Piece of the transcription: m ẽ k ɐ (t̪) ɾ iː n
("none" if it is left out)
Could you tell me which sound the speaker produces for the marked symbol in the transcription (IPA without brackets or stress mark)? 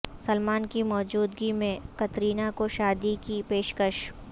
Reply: t̪